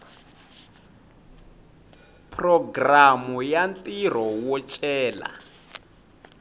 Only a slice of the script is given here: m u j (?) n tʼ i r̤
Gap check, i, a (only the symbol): a